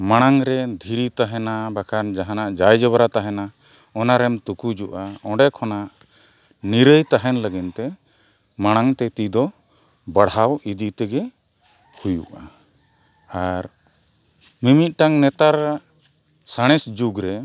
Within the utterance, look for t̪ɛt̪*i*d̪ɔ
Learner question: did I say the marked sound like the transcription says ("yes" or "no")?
yes